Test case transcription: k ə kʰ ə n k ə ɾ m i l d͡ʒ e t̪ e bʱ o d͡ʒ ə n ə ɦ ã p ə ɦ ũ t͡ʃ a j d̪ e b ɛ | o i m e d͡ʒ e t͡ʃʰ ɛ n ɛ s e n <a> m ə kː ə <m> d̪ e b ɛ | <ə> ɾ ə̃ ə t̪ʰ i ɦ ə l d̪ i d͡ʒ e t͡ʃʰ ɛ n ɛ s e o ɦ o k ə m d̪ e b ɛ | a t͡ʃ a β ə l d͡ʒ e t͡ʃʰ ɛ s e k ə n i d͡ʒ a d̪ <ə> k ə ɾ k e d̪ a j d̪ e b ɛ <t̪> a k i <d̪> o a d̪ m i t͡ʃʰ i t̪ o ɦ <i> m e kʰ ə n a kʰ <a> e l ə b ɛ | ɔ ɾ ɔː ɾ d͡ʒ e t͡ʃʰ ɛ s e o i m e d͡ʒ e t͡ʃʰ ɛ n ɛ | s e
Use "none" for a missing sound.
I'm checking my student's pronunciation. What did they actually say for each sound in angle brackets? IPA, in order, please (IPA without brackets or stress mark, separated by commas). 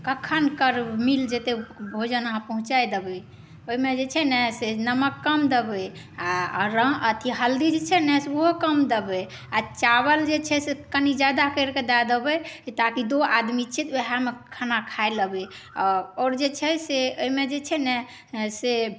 ə, m, a, a, t̪, d̪, a, a